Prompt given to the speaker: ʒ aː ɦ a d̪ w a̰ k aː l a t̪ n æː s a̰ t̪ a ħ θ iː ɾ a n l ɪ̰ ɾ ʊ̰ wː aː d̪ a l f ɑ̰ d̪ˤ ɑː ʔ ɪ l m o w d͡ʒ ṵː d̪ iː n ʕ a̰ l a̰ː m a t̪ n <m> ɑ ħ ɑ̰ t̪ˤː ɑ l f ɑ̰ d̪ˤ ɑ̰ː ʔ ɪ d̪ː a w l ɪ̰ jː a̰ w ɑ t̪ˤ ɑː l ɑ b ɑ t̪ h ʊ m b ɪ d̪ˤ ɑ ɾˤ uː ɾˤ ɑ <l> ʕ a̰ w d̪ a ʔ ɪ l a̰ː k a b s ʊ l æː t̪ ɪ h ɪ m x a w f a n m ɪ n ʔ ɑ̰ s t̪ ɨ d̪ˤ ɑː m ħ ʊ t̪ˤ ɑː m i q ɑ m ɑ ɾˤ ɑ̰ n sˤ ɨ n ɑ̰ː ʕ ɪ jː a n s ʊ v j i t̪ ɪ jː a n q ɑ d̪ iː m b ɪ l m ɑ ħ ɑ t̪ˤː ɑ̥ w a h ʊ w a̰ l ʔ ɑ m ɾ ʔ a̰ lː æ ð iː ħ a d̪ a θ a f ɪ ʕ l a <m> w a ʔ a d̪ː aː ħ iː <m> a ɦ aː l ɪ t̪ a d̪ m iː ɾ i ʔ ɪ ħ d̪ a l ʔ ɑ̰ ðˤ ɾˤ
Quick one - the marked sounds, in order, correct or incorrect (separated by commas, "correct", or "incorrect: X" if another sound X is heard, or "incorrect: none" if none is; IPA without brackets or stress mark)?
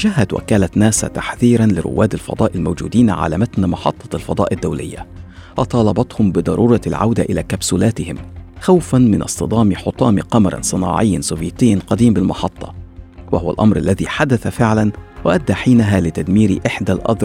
correct, correct, incorrect: n, incorrect: n